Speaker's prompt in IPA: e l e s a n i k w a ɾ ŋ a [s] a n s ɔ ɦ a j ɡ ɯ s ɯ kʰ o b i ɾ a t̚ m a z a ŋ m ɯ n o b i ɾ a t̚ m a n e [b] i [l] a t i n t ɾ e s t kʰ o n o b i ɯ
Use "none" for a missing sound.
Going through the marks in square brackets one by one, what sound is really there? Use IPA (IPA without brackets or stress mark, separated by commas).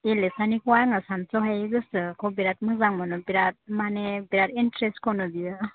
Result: s, b, ɾ